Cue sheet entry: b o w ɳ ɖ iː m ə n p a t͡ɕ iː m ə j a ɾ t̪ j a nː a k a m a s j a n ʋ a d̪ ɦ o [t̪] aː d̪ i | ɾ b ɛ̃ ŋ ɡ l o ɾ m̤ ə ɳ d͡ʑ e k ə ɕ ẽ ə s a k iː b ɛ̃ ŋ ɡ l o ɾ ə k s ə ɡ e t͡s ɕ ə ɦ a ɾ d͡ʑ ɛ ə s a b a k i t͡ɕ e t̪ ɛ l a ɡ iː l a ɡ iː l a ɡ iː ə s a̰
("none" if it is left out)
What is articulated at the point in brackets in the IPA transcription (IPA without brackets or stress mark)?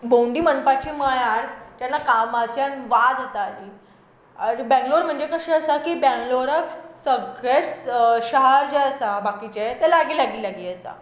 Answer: t̪